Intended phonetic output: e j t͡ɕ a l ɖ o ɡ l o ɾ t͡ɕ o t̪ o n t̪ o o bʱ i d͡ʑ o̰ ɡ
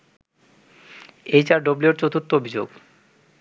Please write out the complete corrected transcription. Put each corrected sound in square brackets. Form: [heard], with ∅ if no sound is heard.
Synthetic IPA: e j t͡ɕ a [ɾ] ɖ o [b] l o ɾ t͡ɕ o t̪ o n t̪ o o bʱ i d͡ʑ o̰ ɡ